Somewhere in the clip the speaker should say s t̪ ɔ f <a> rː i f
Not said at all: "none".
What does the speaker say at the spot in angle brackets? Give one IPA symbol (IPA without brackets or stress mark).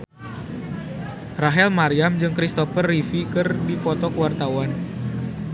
ə